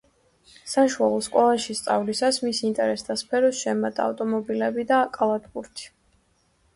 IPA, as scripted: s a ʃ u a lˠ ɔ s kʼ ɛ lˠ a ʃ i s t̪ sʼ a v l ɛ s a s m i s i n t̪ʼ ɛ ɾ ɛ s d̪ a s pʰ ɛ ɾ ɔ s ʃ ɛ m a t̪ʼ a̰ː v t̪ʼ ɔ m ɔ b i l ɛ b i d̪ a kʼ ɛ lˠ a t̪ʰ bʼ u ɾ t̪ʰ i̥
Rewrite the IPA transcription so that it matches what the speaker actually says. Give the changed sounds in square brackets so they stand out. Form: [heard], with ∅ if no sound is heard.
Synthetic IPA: s a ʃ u a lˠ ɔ s kʼ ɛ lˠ a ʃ i s t̪ sʼ a v l [i] s a s m i s i n t̪ʼ ɛ ɾ ɛ s d̪ a s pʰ ɛ ɾ ɔ s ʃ ɛ m a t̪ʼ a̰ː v t̪ʼ ɔ m ɔ b i l ɛ b i d̪ a kʼ [a] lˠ a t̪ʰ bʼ u ɾ t̪ʰ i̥